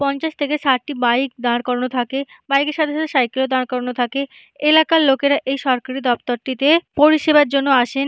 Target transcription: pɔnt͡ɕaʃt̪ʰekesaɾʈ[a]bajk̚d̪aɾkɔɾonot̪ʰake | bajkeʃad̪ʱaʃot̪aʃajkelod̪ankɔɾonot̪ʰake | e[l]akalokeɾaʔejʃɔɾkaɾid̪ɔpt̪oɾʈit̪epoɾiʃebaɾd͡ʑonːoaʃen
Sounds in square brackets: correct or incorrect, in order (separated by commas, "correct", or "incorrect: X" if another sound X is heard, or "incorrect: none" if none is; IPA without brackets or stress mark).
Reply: incorrect: i, correct